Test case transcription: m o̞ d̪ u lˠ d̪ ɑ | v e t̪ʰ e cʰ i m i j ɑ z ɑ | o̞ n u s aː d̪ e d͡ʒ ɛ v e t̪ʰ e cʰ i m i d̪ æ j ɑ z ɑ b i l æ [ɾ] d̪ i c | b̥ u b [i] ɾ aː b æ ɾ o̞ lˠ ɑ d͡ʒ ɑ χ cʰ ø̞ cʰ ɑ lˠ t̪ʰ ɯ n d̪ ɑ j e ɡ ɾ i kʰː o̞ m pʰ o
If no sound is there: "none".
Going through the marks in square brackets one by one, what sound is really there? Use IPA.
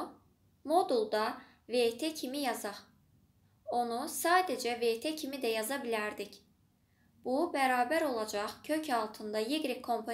ɾ, æ

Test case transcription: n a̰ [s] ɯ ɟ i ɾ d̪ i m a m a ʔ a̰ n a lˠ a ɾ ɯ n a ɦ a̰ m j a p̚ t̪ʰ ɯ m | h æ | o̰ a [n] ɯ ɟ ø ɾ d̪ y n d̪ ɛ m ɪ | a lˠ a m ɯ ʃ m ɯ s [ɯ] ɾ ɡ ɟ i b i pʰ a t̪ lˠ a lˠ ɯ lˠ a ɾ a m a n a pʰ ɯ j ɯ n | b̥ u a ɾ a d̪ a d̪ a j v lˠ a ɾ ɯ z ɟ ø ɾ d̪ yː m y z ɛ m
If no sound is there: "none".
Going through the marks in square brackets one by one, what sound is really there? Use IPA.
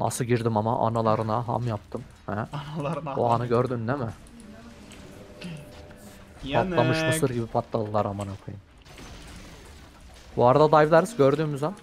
s, n, ɯ

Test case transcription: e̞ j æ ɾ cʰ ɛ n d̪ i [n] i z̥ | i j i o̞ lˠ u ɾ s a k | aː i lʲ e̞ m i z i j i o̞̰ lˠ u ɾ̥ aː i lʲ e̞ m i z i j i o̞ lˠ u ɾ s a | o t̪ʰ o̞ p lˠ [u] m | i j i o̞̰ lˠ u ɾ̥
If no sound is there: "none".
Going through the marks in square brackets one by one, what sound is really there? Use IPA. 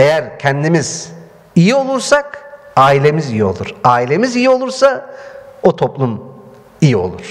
m, u

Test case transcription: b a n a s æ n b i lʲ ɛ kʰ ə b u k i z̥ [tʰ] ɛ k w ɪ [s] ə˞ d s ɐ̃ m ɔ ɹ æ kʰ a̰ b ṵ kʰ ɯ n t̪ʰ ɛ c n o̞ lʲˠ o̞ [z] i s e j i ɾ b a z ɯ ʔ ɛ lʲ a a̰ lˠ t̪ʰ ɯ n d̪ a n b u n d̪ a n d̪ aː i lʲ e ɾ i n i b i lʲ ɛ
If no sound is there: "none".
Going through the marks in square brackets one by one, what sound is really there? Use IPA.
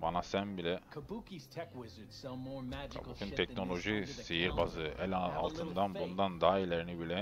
tʰ, z, ʒ

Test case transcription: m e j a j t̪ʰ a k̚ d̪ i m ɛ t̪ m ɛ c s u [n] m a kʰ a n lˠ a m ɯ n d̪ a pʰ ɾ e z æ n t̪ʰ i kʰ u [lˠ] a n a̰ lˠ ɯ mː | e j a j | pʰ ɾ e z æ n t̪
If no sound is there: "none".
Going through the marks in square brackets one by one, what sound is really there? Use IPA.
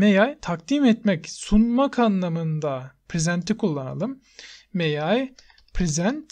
n, lˠː

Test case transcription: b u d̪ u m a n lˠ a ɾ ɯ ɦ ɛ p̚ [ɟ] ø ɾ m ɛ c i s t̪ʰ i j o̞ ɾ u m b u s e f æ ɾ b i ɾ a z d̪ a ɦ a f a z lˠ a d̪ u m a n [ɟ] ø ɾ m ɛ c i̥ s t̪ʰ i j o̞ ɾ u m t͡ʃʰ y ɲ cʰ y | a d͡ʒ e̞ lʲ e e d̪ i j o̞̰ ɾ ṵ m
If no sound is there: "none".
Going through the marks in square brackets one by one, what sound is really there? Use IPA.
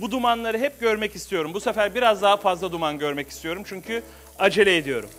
ɟ, ɟ

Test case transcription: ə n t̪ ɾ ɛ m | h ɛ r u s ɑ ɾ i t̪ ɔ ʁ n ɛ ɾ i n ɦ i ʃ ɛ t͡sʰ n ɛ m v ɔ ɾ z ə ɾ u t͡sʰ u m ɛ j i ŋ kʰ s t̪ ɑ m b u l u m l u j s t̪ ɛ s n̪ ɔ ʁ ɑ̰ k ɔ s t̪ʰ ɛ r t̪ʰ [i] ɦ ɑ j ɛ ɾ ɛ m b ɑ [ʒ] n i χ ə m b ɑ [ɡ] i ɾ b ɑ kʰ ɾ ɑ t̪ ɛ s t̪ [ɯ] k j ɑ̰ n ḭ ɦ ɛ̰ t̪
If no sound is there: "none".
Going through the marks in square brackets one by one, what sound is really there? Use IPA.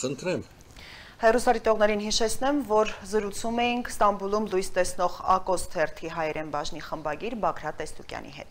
i, ʒ, ɡ, u

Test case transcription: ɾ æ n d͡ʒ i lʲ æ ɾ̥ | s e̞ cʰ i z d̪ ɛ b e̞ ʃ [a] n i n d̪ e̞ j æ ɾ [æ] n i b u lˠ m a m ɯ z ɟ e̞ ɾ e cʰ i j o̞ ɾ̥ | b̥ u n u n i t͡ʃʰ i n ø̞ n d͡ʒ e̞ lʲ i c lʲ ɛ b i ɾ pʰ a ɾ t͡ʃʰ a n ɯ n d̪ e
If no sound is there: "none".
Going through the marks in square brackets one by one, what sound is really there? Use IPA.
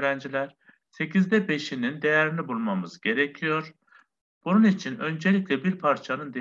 i, i

